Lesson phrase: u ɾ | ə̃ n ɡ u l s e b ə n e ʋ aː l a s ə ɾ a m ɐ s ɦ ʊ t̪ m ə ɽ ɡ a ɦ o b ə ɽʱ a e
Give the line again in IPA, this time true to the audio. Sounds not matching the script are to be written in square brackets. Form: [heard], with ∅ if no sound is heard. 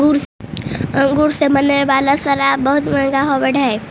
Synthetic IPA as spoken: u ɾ | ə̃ [ŋ] ɡ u [ɾ] s e [m] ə n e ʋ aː l a s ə ɾ a [b] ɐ [∅] ɦ ʊ t̪ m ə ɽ ɡ a ɦ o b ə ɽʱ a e

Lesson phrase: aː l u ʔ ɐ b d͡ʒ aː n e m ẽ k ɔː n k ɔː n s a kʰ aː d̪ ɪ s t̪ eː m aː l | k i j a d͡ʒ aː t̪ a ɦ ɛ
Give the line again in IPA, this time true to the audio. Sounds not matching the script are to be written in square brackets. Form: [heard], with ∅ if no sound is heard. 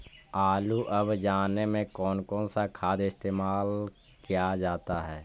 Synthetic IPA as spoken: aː l u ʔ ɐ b d͡ʒ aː n e m ẽ k ɔː n k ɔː n s a kʰ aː d̪ ɪ s t̪ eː m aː l | k i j a d͡ʒ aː t̪ a ɦ [ɛː]

